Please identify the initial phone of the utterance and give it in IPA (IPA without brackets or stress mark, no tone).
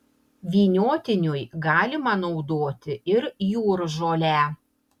ʋʲ